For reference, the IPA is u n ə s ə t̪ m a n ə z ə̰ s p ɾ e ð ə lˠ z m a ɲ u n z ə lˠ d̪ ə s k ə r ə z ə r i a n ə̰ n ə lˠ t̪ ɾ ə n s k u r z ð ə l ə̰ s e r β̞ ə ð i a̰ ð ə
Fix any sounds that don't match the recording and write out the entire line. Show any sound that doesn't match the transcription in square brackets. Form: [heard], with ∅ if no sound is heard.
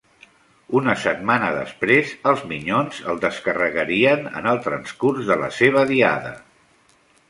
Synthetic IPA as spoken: u n ə s ə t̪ m a n ə [ð] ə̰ s p ɾ e [z] ə lˠ z m [i] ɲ [o] n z ə lˠ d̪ ə s k ə r ə [ɣ] ə [ɾ] i [ə] n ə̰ n ə lˠ t̪ ɾ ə n s k u r z ð ə l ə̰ s e [∅] β̞ ə ð i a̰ ð ə